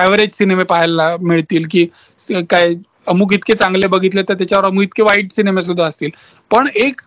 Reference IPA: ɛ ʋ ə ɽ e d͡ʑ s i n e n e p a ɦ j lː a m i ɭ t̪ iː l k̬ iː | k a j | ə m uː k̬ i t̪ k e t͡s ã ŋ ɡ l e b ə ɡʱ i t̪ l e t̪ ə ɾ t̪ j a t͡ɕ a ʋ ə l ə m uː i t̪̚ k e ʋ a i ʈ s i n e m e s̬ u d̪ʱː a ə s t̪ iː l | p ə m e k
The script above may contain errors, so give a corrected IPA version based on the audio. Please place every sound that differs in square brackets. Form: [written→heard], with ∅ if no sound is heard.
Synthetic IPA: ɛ ʋ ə [ɽ→ɾ] e d͡ʑ s i n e [n→m] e p a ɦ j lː a m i ɭ t̪ iː l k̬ iː | k a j | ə m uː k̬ i t̪ k e t͡s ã ŋ ɡ l e b ə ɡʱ i t̪ l e t̪ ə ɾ t̪ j a t͡ɕ a ʋ ə [l→ɾ] ə m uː i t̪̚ k e ʋ a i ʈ s i n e m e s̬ u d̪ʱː a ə s t̪ iː l | p ə [m→ɳ] e k